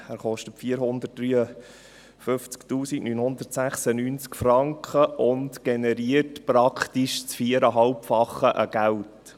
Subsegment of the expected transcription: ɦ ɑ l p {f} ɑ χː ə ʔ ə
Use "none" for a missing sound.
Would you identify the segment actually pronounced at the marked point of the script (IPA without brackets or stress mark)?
f